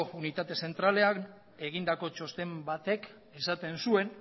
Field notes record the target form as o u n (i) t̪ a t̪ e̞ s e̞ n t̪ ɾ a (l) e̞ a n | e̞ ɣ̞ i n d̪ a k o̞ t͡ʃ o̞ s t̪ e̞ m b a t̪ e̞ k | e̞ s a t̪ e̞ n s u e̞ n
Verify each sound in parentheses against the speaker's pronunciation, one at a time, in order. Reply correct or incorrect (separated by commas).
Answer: correct, correct